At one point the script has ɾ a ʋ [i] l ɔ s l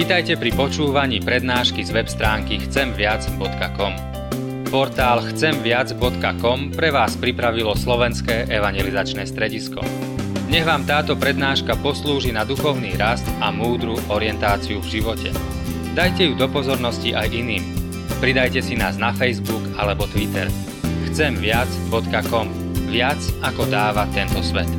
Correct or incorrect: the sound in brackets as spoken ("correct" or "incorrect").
correct